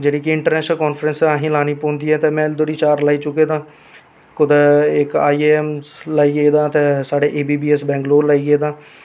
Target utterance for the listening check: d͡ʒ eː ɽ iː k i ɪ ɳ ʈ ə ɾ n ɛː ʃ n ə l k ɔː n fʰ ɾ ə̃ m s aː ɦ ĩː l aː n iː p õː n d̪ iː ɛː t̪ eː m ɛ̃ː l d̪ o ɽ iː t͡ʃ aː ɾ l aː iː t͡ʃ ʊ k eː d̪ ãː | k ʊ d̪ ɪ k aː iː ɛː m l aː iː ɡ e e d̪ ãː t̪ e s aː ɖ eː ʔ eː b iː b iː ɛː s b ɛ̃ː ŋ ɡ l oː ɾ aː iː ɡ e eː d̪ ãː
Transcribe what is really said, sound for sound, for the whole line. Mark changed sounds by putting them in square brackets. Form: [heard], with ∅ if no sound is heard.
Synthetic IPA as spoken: d͡ʒ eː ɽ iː k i ɪ ɳ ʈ ə ɾ n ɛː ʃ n ə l k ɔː n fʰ ɾ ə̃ [n] s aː ɦ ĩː l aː n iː p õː n d̪ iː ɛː t̪ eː m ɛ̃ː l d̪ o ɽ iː t͡ʃ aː ɾ l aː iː t͡ʃ ʊ k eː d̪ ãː | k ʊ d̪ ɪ k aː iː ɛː m l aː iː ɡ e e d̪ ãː t̪ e s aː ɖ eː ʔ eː b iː b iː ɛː s b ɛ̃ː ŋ ɡ l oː [l] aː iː ɡ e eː d̪ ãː

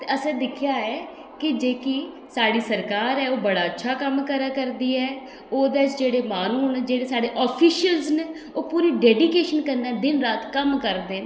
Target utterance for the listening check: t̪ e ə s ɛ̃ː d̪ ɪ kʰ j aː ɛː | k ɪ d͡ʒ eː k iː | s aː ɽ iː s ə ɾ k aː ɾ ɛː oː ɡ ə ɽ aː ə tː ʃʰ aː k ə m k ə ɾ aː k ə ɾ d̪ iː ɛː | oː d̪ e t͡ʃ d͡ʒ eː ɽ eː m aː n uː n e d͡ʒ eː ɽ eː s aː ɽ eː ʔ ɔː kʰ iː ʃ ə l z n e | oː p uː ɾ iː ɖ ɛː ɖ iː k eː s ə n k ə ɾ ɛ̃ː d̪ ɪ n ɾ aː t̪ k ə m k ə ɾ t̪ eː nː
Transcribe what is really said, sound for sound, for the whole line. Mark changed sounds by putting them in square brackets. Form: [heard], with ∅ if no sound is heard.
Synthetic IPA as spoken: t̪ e ə s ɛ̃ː d̪ ɪ kʰ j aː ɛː | k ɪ d͡ʒ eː k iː | s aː ɽ iː s ə ɾ k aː ɾ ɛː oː [b] ə ɽ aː ə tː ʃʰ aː k ə m k ə ɾ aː k ə ɾ d̪ iː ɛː | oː d̪ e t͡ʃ d͡ʒ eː ɽ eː m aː n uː n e d͡ʒ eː ɽ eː s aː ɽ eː ʔ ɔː [pʰ] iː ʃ ə l z n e | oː p uː ɾ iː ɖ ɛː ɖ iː k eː [ʃ] ə n k ə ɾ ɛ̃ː d̪ ɪ n ɾ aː t̪ k ə m k ə ɾ [d̪] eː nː

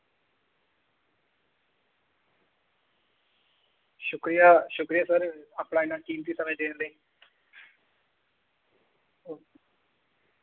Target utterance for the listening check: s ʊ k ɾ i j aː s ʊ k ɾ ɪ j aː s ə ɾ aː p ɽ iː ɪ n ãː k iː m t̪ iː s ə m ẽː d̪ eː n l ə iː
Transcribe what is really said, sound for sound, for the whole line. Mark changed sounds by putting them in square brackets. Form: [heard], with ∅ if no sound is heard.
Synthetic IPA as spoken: [ʃ] ʊ k ɾ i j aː [ʃ] ʊ k ɾ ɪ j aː s ə ɾ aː p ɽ [aː] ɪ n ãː k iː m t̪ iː s ə m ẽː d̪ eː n l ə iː

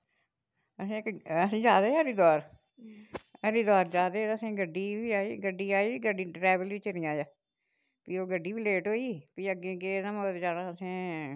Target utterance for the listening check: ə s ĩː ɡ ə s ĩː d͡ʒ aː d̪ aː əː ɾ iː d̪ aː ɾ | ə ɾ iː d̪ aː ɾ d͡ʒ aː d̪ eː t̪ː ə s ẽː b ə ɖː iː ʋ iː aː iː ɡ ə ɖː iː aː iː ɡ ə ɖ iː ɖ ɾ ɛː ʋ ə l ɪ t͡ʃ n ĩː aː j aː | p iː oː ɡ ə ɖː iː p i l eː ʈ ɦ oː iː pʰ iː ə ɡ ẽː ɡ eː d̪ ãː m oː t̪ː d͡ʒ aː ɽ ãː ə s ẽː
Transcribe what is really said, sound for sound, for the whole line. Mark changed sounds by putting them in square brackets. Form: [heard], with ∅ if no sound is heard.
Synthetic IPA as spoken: ə s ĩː [k] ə s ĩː d͡ʒ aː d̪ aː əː ɾ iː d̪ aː ɾ | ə ɾ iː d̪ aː ɾ d͡ʒ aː d̪ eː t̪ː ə s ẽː [ɡ] ə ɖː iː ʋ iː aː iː ɡ ə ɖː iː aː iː ɡ ə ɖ iː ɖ ɾ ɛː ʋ ə l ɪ t͡ʃ n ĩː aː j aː | p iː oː ɡ ə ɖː iː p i l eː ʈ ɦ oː iː [p] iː ə ɡ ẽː ɡ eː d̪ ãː m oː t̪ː d͡ʒ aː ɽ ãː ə s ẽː

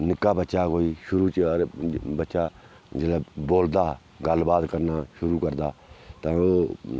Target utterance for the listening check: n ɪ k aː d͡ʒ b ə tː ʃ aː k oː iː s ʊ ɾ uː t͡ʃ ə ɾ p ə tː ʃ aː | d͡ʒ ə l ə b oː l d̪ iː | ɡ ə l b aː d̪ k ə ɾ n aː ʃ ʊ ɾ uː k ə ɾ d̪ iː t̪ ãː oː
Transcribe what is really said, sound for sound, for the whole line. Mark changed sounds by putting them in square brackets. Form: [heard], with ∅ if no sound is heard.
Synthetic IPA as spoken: n ɪ k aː [∅] b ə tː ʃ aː k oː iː [ʃ] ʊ ɾ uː t͡ʃ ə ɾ [b] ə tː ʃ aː | d͡ʒ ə l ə b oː l d̪ [aː] | ɡ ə l b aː d̪ k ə ɾ n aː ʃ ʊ ɾ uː k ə ɾ d̪ [aː] t̪ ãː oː

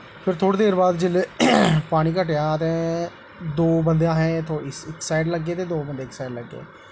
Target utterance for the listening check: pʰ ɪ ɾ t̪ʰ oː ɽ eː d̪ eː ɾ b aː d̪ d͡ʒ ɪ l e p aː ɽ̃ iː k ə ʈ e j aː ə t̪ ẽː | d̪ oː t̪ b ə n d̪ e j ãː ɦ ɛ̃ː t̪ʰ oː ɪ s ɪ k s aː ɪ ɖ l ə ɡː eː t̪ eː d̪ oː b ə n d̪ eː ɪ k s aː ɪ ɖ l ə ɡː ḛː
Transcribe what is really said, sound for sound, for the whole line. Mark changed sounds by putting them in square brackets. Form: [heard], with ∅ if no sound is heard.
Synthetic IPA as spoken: pʰ ɪ ɾ t̪ʰ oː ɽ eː d̪ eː ɾ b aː d̪ d͡ʒ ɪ l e p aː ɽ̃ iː k ə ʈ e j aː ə t̪ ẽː | d̪ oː [∅] b ə n d̪ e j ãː ɦ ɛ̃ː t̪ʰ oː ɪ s ɪ k s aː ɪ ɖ l ə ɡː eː t̪ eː d̪ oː b ə n d̪ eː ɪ k s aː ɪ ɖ l ə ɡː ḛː

